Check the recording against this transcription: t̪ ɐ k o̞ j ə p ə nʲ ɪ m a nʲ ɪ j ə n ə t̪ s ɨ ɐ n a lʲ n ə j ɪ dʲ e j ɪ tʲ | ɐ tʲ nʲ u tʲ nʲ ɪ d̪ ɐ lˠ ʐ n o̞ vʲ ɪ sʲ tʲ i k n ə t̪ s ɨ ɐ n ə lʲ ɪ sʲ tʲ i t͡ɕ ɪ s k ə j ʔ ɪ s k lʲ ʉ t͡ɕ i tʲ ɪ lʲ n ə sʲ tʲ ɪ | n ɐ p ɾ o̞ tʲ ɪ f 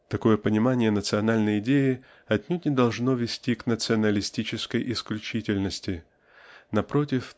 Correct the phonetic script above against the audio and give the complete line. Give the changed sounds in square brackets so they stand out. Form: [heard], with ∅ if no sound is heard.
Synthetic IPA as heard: t̪ ɐ k o̞ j ə p ə nʲ ɪ m a nʲ ɪ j ə n ə t̪ s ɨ ɐ n a lʲ n ə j ɪ dʲ e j ɪ [∅] | ɐ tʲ nʲ u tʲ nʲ ɪ d̪ ɐ lˠ ʐ n o̞ vʲ ɪ sʲ tʲ i k n ə t̪ s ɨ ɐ n ə lʲ ɪ sʲ tʲ i t͡ɕ ɪ s k ə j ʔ ɪ s k lʲ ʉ t͡ɕ i tʲ ɪ lʲ n ə sʲ tʲ ɪ | n ɐ p ɾ o̞ tʲ ɪ f